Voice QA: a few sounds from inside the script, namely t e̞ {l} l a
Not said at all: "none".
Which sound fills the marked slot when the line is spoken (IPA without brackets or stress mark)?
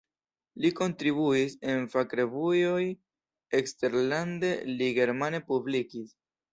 ɾ